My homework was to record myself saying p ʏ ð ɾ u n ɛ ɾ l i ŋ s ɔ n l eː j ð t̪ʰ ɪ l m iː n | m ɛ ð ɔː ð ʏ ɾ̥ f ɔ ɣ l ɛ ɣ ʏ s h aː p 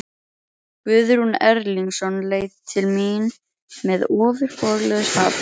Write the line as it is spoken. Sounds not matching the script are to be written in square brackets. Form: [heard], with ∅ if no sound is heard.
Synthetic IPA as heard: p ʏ ð ɾ u n ɛ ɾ l i ŋ s ɔ n l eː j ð t̪ʰ ɪ l m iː n | m ɛ ð ɔː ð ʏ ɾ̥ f ɔ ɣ l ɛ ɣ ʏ s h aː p